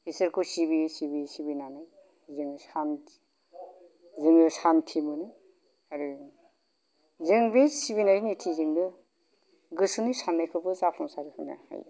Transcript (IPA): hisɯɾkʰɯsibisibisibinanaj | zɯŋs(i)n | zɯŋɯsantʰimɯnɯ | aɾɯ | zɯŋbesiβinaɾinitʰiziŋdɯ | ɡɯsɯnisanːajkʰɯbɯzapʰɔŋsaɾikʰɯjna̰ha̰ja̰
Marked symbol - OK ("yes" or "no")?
no